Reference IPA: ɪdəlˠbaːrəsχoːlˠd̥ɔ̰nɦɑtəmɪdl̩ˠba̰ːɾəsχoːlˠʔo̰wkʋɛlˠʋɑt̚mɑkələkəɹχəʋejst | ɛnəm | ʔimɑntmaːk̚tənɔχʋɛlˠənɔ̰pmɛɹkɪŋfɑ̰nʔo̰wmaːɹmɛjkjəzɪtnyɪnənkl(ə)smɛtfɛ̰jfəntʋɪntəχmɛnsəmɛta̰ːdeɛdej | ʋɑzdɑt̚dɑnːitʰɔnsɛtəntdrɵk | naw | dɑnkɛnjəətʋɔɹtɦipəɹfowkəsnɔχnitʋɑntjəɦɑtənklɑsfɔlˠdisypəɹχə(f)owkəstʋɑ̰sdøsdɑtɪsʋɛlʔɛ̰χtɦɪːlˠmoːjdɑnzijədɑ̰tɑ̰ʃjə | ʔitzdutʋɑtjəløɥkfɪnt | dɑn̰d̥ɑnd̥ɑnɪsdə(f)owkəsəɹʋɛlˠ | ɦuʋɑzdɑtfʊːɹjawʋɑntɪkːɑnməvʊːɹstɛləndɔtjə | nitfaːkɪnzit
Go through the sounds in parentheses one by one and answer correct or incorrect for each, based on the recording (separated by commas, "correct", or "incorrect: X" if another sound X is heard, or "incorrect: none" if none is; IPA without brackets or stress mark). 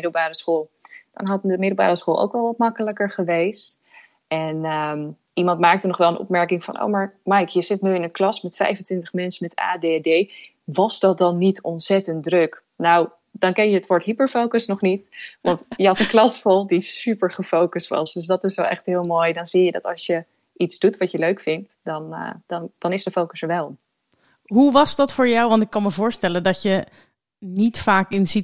incorrect: ɑ, correct, correct